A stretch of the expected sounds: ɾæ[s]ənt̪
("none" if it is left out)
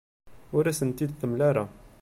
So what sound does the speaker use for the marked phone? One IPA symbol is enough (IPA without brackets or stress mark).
s